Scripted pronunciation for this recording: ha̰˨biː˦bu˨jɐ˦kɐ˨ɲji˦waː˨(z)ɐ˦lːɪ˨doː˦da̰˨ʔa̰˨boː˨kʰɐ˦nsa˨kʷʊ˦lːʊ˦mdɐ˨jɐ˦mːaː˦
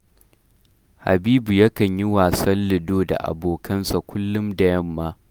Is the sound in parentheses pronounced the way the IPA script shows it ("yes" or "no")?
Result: no